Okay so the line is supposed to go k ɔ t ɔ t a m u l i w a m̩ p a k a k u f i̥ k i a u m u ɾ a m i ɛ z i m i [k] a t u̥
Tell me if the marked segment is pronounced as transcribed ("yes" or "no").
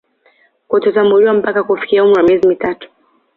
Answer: no